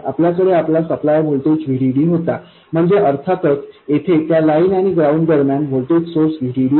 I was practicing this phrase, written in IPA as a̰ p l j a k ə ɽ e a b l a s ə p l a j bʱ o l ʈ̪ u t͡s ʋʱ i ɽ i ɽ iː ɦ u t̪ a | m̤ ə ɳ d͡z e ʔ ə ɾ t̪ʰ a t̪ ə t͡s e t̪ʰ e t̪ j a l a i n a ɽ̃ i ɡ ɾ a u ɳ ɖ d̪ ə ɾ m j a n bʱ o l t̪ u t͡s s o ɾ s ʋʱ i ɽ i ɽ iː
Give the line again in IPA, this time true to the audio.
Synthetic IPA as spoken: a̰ p l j a k ə ɽ e a p l a s ə p l a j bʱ o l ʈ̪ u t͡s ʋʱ i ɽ i ɽ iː ɦ o t̪ a | m̤ ə ɳ d͡z e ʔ ə ɾ t̪ʰ a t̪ ə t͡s e t̪ʰ e t̪ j a l a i n a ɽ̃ i ɡ ɾ a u ɳ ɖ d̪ ə ɾ m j a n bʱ o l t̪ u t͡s s o ɾ s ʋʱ i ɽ i ɽ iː